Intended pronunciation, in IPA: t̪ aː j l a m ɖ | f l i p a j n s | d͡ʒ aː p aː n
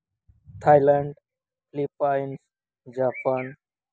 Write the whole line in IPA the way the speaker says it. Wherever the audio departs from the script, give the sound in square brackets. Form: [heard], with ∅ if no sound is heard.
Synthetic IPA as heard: [t̪ʰ] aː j l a [ɳ] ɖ | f l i p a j n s | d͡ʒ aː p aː n